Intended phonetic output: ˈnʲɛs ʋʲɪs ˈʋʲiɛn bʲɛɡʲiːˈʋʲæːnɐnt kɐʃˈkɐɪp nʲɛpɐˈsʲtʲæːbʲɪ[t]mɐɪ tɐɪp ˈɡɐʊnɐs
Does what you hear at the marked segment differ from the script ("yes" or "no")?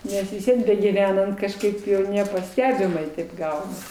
yes